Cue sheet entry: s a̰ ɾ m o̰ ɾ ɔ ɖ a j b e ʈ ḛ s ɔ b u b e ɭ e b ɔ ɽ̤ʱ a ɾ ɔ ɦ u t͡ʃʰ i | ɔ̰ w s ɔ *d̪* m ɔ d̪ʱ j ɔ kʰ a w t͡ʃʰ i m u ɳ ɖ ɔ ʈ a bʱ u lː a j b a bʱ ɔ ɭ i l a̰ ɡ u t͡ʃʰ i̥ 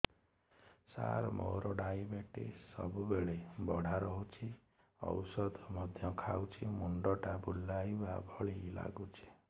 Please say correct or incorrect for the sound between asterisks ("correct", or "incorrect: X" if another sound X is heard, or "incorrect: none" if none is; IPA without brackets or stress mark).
correct